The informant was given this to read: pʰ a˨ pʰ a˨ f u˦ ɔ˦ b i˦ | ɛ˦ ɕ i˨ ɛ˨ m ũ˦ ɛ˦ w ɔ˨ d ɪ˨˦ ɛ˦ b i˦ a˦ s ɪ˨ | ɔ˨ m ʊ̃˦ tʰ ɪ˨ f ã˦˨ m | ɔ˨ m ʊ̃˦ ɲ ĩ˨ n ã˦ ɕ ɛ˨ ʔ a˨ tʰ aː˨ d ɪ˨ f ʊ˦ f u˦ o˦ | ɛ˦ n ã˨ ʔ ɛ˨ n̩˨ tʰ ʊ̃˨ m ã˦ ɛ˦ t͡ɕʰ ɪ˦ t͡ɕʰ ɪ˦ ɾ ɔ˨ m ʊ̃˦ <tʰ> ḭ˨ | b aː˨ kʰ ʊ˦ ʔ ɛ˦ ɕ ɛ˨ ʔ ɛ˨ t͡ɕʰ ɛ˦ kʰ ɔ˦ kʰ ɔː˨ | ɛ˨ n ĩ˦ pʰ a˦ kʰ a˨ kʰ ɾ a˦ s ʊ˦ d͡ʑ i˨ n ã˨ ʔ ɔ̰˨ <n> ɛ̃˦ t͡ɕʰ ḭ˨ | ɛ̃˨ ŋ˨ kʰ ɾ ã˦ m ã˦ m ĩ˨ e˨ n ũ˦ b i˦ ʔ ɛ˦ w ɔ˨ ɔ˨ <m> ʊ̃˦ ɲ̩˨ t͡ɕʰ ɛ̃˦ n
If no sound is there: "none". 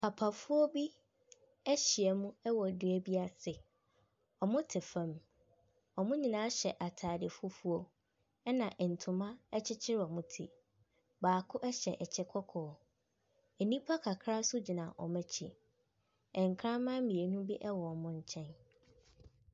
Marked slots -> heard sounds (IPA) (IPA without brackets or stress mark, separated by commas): tʰ, m, m